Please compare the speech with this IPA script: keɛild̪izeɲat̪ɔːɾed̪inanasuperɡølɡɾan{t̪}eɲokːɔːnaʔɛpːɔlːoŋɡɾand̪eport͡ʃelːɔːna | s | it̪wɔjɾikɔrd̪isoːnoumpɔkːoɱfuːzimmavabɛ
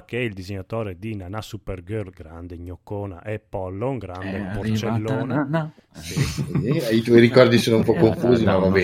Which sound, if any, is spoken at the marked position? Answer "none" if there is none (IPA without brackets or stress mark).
d̪